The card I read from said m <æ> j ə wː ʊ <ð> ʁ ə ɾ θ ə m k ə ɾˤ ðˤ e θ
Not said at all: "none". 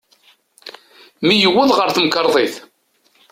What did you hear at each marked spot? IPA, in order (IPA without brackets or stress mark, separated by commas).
i, ð